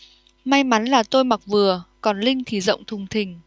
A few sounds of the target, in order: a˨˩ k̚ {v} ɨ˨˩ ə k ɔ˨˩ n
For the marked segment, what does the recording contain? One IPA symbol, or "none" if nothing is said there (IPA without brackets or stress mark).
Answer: v